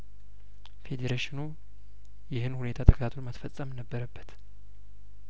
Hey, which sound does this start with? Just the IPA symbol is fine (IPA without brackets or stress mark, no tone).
f